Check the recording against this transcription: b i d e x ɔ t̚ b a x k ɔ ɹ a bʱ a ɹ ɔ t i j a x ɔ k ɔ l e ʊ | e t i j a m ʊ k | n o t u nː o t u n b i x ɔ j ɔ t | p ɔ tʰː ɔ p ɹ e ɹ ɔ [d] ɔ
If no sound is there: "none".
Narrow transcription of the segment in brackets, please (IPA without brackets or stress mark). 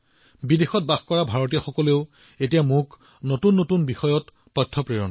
n